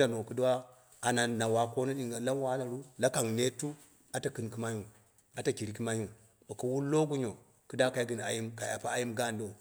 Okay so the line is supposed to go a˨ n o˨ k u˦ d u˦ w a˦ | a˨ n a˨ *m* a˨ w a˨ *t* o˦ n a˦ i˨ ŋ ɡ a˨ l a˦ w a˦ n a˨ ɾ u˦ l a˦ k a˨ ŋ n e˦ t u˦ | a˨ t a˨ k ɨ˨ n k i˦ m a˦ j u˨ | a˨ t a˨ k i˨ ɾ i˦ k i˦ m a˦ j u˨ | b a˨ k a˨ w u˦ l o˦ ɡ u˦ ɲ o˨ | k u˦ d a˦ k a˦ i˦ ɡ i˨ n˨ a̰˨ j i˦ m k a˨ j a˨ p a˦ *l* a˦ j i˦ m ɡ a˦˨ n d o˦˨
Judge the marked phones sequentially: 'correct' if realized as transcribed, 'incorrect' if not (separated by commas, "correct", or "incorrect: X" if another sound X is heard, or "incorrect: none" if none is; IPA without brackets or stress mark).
incorrect: n, incorrect: k, incorrect: none